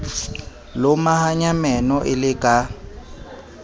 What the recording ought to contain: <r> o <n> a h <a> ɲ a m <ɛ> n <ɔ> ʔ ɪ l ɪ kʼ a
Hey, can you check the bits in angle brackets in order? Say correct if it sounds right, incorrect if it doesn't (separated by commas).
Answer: incorrect, incorrect, correct, correct, correct